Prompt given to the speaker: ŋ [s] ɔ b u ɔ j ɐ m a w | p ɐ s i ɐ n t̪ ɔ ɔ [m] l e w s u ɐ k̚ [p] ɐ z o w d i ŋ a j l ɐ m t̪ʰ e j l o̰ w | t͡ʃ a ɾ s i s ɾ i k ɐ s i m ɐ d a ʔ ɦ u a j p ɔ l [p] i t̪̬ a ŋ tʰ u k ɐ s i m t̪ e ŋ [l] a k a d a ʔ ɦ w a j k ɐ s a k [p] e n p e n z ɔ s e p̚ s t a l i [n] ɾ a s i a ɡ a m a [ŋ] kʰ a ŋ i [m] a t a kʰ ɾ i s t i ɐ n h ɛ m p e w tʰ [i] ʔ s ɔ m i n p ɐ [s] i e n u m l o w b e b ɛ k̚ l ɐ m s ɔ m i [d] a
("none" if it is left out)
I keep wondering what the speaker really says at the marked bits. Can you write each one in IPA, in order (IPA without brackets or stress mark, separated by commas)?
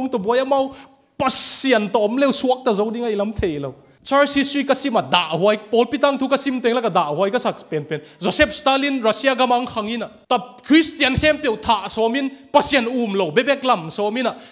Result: t, m, t, p, l, p, n, ŋ, n, a, s, n